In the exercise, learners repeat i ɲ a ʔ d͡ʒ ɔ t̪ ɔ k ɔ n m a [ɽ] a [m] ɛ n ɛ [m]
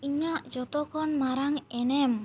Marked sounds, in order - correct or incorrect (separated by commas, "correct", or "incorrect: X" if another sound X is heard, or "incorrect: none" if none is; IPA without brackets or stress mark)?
incorrect: ɾ, incorrect: ŋ, correct